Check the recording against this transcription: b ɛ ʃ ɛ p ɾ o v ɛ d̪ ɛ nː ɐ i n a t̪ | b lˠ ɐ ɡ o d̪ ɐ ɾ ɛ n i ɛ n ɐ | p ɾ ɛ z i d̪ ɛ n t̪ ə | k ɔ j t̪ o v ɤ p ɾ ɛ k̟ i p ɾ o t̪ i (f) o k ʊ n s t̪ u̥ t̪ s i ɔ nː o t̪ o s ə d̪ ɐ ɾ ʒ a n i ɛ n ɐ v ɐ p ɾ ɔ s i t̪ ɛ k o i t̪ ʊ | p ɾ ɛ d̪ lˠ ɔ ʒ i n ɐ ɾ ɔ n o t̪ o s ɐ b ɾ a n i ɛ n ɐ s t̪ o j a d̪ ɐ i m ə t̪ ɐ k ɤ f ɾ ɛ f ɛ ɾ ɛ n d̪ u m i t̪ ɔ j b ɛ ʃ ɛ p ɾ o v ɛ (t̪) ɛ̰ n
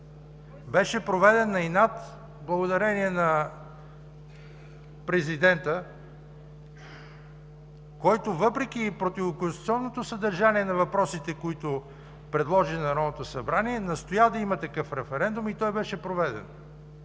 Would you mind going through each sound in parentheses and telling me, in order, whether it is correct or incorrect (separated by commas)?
incorrect, incorrect